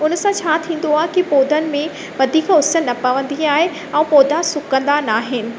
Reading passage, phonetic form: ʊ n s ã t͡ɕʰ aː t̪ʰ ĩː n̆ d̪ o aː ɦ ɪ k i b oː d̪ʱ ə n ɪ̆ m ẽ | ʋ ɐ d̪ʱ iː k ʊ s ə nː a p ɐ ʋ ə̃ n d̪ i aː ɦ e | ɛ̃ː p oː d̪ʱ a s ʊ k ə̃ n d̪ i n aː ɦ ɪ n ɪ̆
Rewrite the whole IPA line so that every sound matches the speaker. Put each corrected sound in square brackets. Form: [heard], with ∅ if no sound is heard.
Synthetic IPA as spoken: ʊ n s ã t͡ɕʰ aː t̪ʰ ĩː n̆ d̪ o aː ɦ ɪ k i [p] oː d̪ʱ ə n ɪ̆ m ẽ | ʋ ɐ d̪ʱ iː k ʊ s ə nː [ɐ] p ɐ ʋ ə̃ n d̪ i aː ɦ e | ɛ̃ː p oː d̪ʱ a s ʊ k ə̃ n d̪ [a] n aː ɦ ɪ n ɪ̆